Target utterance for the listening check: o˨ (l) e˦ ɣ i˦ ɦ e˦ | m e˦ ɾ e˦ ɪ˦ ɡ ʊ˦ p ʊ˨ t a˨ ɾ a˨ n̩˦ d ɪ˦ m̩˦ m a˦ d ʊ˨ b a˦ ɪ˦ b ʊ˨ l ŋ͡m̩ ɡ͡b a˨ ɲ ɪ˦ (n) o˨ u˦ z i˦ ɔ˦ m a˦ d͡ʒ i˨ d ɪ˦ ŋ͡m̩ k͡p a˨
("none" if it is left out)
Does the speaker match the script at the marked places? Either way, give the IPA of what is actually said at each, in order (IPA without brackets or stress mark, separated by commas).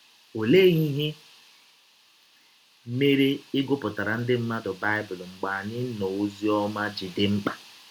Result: l, n